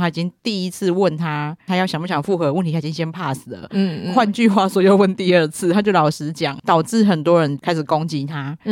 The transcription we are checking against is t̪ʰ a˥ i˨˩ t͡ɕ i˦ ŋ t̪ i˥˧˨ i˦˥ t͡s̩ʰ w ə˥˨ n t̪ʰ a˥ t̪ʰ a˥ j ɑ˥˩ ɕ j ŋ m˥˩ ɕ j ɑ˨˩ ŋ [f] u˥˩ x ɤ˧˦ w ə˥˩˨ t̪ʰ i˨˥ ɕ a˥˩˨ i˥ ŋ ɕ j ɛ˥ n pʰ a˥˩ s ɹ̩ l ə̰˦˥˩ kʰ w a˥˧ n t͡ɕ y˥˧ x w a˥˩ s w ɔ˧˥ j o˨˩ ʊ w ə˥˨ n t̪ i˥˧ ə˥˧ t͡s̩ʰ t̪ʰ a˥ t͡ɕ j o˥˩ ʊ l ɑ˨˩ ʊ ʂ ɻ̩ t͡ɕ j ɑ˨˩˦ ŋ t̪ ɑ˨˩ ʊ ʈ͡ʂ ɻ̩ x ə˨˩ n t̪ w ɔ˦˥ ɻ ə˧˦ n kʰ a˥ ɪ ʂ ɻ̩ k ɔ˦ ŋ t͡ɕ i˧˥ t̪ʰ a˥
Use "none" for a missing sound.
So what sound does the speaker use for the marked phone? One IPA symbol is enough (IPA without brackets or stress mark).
f